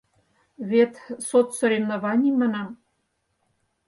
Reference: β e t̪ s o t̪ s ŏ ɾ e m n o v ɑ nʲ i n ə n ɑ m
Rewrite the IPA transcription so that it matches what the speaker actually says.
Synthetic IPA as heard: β e t̪ s o t̪ s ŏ ɾ e m n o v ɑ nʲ i m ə n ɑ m